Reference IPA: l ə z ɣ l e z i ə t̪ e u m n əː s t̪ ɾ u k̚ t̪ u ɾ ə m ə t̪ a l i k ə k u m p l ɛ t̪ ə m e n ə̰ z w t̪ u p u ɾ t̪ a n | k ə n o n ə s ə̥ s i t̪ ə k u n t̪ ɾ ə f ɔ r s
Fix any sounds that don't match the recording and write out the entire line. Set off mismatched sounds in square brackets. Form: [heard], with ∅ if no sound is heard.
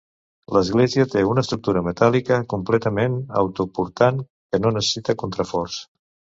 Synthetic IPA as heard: l ə z ɣ l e z i ə t̪ e u [∅] n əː s t̪ ɾ u k̚ t̪ u ɾ ə m ə t̪ a l i k ə k u m p l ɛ t̪ ə m e n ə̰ [∅] w t̪ u p u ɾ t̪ a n | k ə n o n ə s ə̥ s i t̪ ə k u n t̪ ɾ ə f ɔ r s

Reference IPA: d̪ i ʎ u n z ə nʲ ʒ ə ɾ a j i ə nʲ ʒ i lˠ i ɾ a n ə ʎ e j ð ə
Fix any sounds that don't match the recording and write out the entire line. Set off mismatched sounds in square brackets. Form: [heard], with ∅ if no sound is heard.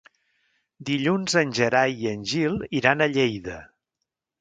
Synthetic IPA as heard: d̪ i ʎ u n z ə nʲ ʒ ə ɾ a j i ə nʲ ʒ i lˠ i ɾ a n ə ʎ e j ð ə

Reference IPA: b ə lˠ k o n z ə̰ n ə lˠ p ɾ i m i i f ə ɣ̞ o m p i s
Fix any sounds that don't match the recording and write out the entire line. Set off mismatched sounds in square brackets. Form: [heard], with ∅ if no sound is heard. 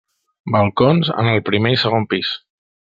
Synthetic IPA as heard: b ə lˠ k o n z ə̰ n ə lˠ p ɾ i m [e] i [s] ə ɣ̞ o m p i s

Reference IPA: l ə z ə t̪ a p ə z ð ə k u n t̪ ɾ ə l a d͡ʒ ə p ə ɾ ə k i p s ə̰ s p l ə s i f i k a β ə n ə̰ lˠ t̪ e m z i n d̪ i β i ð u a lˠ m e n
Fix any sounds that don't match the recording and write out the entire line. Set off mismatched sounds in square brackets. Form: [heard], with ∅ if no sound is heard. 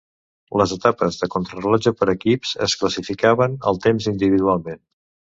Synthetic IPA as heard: l ə z ə t̪ a p ə z ð ə k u n t̪ ɾ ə l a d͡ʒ ə p ə ɾ ə k i p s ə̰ s [k] l ə s i f i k a β ə n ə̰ lˠ t̪ e m z i n d̪ i β i ð u a lˠ m e n

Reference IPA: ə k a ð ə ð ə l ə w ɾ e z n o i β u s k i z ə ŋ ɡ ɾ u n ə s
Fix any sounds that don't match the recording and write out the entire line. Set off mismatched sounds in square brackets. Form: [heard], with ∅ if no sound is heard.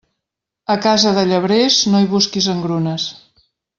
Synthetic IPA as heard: ə k a [z] ə ð ə [ʎ] ə [β] ɾ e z n o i β u s k i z ə ŋ ɡ ɾ u n ə s

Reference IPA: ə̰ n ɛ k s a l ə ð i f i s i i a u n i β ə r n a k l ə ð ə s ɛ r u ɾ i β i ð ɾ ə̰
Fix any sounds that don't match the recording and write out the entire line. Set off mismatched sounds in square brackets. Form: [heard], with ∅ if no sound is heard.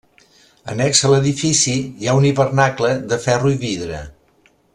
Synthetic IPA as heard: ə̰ n ɛ k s [ə] l ə ð i f i s i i a u n i β ə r n a k l ə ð ə [f] ɛ r u [∅] i β i ð ɾ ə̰

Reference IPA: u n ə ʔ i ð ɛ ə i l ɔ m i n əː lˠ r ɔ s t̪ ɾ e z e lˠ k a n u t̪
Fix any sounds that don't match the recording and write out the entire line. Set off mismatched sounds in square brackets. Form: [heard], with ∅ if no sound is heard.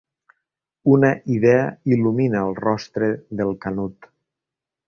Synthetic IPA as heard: u n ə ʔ i ð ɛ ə i l [u] m i n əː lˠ r ɔ s t̪ ɾ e [ð] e lˠ k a n u t̪

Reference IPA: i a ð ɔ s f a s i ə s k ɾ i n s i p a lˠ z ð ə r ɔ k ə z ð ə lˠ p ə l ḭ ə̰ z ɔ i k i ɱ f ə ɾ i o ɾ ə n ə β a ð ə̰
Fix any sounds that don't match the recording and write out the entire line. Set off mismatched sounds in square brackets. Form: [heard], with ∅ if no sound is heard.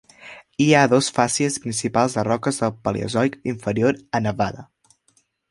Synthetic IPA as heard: i a ð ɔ s f a s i ə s [p] ɾ i n s i p a lˠ z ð ə r ɔ k ə z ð ə lˠ p ə l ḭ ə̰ z ɔ [j] k i ɱ f ə ɾ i o ɾ ə n ə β a ð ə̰

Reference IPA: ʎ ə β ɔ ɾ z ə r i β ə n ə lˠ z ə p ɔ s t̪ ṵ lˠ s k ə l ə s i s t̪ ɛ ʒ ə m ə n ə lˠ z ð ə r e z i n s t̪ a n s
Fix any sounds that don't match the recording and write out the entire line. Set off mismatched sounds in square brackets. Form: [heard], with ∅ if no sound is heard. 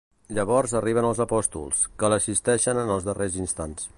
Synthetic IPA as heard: ʎ ə β ɔ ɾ z ə r i β ə n ə lˠ z ə p ɔ s t̪ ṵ lˠ s k ə l ə s i s t̪ ɛ [ʃ] ə [n] ə n ə lˠ z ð ə r e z i n s t̪ a n s

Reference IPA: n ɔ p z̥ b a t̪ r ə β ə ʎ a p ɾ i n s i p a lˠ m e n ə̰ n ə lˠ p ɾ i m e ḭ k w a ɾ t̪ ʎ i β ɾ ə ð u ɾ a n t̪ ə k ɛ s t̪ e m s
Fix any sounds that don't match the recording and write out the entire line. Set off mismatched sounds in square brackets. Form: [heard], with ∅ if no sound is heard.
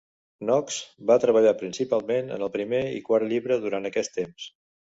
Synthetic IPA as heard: n ɔ [k] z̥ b a t̪ [ɾ] ə β ə ʎ a p ɾ i n s i p a lˠ m e n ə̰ n ə lˠ p ɾ i m e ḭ k w a ɾ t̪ ʎ i β ɾ ə ð u ɾ a n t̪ ə k ɛ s t̪ e m s

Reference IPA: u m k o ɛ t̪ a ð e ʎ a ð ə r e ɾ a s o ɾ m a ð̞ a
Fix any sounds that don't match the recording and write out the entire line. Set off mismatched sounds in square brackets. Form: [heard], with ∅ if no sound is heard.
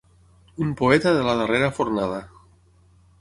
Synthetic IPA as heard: u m [p] o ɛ t̪ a ð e [l] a ð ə r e ɾ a [f] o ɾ [n] a ð̞ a

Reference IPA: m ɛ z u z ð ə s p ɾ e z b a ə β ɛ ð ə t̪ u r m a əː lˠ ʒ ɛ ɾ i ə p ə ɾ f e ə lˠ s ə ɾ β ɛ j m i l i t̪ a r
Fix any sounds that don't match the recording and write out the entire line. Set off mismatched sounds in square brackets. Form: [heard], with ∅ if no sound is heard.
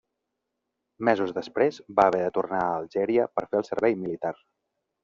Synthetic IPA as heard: m ɛ z u z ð ə s p ɾ e z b a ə β ɛ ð ə t̪ u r [n] a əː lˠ ʒ ɛ ɾ i ə p ə ɾ f e ə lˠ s ə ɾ β ɛ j m i l i t̪ a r

